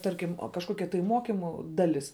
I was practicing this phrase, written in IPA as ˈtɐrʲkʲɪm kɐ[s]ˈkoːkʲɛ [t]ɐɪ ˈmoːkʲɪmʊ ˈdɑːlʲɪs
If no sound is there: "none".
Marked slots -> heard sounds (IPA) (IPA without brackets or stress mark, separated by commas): ʃ, t